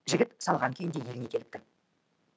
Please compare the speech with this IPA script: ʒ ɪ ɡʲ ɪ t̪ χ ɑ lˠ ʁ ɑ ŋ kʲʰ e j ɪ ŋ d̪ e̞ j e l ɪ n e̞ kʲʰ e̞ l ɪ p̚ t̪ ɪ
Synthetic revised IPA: ʒ ɪ ɡʲ ɪ t̪ s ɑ lˠ ʁ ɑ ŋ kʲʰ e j ɪ n d̪ e̞ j e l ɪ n e̞ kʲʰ e̞ l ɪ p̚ t̪ ɪ